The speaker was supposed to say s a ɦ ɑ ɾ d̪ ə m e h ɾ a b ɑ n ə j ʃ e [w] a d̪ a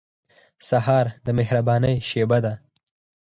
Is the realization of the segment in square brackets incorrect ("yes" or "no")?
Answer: yes